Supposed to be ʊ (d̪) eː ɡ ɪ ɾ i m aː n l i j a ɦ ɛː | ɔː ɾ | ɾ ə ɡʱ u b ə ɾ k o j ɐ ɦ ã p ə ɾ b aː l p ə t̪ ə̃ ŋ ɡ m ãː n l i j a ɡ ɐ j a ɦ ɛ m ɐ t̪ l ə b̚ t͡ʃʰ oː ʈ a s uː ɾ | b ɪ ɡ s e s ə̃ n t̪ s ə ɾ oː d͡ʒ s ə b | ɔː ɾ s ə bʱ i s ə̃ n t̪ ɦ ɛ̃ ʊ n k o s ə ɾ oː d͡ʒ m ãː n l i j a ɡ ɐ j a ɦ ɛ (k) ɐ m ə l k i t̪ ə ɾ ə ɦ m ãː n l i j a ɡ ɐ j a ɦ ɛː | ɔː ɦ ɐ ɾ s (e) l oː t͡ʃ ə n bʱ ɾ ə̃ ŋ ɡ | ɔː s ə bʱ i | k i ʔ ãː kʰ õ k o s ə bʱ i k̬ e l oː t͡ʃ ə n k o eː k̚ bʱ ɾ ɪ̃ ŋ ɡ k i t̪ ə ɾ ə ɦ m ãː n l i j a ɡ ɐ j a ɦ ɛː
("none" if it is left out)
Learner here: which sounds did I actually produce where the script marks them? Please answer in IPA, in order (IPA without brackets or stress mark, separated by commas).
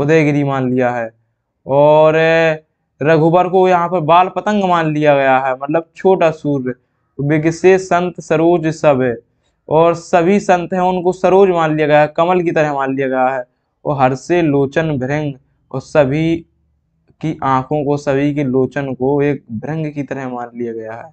d̪, k, e